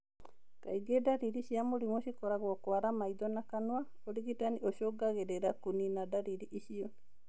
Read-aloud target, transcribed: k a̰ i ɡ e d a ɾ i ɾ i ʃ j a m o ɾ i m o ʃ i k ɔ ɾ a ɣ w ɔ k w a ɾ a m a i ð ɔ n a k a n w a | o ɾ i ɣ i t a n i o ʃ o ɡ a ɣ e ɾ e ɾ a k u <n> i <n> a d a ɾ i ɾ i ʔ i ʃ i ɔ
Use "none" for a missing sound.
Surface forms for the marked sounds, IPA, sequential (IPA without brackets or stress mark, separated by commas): n, n